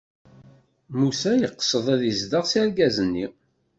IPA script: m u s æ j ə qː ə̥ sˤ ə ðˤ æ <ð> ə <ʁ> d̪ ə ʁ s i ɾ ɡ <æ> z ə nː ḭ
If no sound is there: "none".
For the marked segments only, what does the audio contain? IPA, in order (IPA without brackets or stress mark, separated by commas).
ð, z, æ